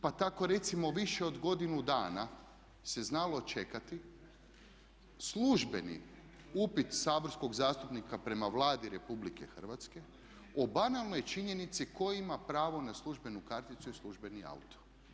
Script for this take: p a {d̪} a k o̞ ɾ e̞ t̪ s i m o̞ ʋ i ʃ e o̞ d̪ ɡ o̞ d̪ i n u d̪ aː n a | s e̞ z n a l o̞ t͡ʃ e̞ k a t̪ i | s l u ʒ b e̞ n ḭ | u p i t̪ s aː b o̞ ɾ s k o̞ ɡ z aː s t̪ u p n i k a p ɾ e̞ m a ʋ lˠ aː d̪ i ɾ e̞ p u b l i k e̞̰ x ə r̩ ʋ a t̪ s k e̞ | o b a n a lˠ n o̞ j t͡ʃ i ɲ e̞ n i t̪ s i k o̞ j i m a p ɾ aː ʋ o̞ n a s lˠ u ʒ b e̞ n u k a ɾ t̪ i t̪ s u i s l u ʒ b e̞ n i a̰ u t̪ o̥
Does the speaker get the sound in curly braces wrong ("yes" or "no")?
yes